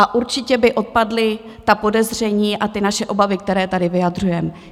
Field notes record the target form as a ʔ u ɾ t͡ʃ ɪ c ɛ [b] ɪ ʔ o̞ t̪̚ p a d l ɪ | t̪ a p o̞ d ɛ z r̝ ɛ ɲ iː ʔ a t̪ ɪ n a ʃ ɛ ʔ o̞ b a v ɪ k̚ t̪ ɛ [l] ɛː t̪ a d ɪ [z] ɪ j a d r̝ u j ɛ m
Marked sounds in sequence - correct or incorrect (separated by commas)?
correct, incorrect, incorrect